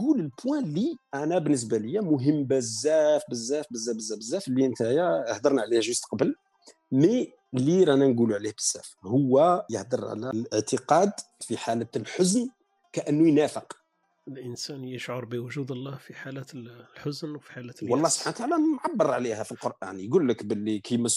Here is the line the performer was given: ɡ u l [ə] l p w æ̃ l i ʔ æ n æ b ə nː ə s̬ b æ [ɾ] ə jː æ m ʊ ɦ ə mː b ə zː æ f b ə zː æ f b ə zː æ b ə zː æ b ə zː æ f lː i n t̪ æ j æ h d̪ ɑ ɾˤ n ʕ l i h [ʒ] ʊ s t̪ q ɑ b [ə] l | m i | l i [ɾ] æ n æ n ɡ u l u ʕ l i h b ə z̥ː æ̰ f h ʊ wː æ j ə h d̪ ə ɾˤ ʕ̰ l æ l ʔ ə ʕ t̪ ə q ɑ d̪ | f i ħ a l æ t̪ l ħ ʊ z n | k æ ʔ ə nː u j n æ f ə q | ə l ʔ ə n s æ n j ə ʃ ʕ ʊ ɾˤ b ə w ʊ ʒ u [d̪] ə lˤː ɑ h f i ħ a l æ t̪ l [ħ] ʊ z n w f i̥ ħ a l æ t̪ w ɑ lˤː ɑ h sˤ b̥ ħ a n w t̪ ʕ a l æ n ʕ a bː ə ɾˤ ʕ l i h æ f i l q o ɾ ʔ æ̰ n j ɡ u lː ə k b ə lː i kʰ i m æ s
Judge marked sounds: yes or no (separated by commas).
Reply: yes, no, yes, yes, yes, yes, yes